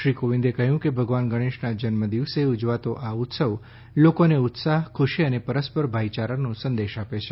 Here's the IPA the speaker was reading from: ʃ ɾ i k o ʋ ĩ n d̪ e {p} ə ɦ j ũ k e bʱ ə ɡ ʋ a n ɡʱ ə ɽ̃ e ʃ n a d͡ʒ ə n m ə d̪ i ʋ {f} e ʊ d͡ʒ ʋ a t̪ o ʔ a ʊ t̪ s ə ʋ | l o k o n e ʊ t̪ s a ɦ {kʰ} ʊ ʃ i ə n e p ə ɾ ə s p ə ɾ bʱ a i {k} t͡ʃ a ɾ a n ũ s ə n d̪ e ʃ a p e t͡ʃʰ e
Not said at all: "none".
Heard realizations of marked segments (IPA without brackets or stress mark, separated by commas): k, s, kʰ, none